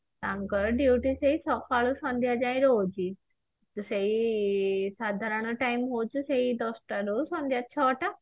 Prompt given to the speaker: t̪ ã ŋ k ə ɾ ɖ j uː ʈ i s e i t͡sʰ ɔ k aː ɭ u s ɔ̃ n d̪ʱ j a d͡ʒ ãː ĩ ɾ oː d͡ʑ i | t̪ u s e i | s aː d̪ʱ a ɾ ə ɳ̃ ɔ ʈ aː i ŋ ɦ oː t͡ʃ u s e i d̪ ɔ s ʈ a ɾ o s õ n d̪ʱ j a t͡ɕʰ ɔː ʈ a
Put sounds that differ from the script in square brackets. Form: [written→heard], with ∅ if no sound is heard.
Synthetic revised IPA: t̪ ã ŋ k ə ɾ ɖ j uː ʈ i s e i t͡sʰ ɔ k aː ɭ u s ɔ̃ n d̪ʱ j a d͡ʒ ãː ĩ ɾ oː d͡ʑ i | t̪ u s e i | s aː d̪ʱ a ɾ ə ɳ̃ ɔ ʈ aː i [ŋ→m] ɦ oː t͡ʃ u s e i d̪ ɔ s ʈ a ɾ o s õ n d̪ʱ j a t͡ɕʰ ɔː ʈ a